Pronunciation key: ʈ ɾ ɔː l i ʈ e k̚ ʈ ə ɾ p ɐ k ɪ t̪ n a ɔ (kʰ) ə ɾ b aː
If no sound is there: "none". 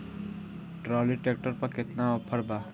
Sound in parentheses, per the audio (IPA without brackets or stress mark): pʰ